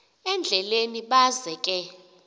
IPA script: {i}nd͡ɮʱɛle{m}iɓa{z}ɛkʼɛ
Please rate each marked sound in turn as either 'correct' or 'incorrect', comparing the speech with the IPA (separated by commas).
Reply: incorrect, incorrect, correct